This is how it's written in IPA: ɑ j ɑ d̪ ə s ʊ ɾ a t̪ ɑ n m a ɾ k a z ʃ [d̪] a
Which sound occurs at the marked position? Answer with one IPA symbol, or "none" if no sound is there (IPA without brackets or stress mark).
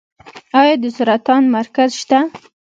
t̪